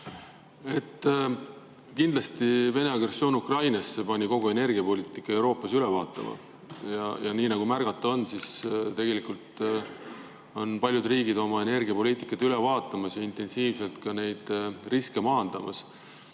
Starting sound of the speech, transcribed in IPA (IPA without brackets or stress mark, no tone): e̞